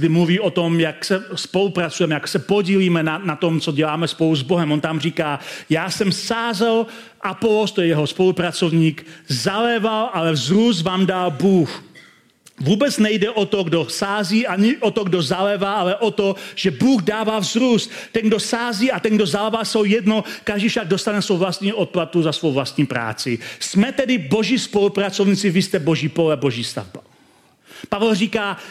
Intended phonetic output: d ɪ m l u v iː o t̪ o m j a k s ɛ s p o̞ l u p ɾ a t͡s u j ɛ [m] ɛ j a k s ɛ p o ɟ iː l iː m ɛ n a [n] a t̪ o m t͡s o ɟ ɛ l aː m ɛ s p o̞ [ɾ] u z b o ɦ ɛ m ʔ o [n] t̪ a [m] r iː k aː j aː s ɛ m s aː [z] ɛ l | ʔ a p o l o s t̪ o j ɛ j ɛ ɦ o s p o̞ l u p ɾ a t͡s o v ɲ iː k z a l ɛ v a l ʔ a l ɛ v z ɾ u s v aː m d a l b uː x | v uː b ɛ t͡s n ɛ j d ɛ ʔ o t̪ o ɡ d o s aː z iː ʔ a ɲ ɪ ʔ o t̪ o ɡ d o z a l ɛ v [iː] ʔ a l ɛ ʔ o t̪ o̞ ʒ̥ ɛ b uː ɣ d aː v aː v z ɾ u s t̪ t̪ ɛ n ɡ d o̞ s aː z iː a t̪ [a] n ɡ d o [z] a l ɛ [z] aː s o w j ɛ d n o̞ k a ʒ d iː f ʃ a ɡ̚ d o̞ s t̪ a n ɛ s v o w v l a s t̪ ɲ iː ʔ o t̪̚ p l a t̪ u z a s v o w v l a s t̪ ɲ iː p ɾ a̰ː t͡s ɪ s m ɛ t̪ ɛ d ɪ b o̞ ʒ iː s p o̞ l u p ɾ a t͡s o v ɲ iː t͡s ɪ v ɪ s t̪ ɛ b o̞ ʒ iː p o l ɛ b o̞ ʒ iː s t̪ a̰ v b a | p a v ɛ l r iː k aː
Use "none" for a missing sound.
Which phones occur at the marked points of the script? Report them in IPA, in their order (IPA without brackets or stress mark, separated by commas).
m, n, l, n, m, z, aː, ɛ, z, v